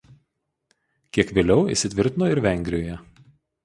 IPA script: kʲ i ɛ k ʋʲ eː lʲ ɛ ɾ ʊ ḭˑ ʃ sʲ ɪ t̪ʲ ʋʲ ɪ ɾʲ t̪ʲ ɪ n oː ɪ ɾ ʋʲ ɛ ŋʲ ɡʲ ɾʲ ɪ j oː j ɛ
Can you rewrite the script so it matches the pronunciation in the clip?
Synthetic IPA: kʲ i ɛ k ʋʲ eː lʲ ɛ ʊ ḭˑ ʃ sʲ ɪ t̪ʲ ʋʲ ɪ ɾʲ t̪ʲ ɪ n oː ɪ ɾ ʋʲ ɛ ŋʲ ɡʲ ɾʲ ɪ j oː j ɛ